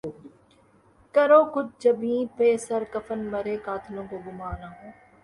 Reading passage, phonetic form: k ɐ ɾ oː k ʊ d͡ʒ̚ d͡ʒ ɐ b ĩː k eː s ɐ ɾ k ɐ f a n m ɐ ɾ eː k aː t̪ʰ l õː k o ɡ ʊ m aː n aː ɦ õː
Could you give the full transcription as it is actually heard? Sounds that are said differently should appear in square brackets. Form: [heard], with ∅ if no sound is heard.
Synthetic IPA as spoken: k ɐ ɾ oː k ʊ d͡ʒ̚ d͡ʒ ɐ b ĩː [p] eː s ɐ ɾ k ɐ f [ə] n m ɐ ɾ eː k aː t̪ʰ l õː k o ɡ ʊ m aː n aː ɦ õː